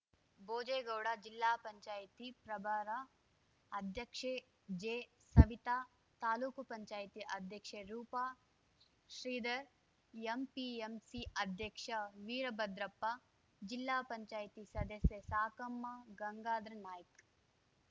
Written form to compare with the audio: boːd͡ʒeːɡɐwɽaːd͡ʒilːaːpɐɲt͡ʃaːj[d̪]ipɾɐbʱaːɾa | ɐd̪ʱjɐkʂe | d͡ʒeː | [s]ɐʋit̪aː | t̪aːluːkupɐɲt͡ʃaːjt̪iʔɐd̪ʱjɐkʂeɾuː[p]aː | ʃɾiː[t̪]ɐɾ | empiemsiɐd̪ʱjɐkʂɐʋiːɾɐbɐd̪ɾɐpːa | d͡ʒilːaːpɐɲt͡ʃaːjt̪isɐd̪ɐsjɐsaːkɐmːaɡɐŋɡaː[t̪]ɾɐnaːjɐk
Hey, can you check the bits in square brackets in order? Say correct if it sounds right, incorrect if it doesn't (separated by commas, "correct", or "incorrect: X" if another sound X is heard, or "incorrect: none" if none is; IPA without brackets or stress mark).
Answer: incorrect: t̪, correct, correct, incorrect: d̪, incorrect: d̪